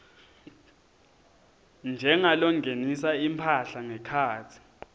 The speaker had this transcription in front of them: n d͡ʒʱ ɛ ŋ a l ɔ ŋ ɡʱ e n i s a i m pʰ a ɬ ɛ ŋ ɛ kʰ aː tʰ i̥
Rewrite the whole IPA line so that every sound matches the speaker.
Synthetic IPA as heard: n d͡ʒʱ ɛ ŋ a l ɔ ŋ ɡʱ e n i s a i m pʰ a ɬ a ŋ ɛ kʰ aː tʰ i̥